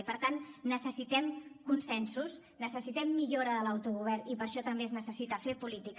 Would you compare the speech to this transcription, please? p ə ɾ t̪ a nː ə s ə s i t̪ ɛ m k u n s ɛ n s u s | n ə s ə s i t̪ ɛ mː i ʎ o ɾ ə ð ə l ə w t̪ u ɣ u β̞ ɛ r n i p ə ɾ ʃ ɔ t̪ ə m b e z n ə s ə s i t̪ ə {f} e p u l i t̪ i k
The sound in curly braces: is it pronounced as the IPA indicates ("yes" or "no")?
yes